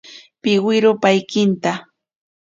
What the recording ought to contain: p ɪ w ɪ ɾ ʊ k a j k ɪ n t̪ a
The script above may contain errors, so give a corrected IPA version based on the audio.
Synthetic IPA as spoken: p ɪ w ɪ ɾ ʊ p a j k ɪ n t̪ a